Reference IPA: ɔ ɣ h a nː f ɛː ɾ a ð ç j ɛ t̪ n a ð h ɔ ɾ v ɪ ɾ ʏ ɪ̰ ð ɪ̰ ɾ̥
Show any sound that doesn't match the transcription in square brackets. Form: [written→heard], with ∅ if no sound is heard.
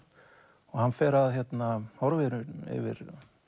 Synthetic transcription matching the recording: ɔ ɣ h a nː f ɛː ɾ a ð ç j ɛ t̪ n a [ð→∅] h ɔ ɾ v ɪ ɾ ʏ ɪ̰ [ð→v] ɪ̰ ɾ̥